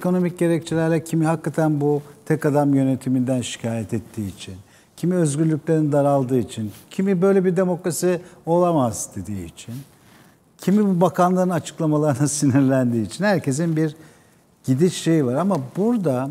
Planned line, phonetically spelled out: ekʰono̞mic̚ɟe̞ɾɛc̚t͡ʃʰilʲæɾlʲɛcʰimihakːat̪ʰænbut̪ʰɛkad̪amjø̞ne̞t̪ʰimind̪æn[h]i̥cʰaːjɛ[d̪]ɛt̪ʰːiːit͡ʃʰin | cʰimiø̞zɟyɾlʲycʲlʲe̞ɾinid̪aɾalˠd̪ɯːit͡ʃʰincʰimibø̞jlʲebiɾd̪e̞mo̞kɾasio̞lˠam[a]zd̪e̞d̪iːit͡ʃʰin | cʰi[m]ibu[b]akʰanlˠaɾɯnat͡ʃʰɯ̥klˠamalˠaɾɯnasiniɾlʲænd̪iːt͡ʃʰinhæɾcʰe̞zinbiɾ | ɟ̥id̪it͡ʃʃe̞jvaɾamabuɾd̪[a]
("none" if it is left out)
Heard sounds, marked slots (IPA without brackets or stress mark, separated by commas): ʃ, t̪, a, m, b, a